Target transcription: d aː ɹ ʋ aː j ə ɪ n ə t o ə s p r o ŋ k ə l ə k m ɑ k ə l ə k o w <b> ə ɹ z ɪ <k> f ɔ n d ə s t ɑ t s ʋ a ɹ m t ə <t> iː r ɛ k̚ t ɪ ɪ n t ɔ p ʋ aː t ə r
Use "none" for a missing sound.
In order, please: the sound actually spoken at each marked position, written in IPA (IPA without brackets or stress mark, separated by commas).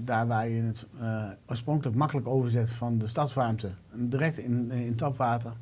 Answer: v, t, d